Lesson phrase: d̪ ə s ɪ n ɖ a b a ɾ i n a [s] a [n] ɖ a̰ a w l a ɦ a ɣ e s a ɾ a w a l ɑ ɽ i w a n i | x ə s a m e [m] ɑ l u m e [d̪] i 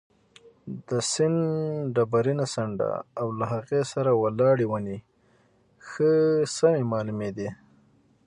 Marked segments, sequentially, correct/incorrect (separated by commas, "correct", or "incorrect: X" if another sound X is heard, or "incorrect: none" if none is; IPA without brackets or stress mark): correct, incorrect: ɳ, correct, correct